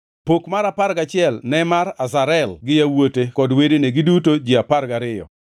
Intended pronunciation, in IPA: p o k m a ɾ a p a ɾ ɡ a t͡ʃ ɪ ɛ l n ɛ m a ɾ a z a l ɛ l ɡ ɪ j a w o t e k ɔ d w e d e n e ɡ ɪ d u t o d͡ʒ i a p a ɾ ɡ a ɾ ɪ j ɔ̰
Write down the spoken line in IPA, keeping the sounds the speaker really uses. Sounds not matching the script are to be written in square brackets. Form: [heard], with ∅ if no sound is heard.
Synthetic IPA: p o k m a ɾ a p a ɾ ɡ a t͡ʃ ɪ ɛ l n ɛ m a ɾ a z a [ɾ] ɛ l ɡ ɪ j a w o t e k ɔ d w e d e n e ɡ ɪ d u t o d͡ʒ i a p a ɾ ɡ a ɾ ɪ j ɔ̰

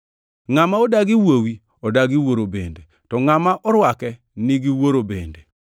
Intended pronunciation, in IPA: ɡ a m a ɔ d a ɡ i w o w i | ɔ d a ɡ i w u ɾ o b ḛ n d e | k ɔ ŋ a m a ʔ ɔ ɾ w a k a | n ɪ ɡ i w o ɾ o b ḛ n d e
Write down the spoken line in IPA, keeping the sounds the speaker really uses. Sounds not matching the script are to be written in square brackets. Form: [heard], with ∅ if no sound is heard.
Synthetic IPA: [ŋ] a m a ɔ d a ɡ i w o w i | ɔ d a ɡ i w [o] ɾ o b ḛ n d e | [t] ɔ ŋ a m a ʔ ɔ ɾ w a k [ɛ] | n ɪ ɡ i w o ɾ o b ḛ n d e

